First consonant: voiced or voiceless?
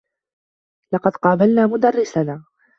voiced